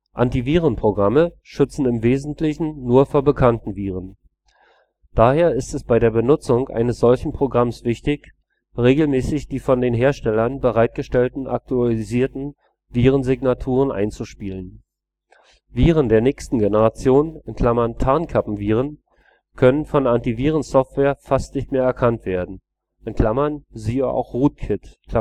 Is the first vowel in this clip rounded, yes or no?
no